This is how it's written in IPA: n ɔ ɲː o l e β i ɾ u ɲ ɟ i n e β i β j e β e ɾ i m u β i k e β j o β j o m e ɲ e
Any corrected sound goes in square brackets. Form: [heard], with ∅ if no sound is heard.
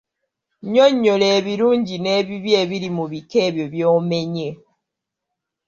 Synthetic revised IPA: [ɲ] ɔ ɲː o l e β i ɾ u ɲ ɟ i n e β i β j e β [i] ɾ i m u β i k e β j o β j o m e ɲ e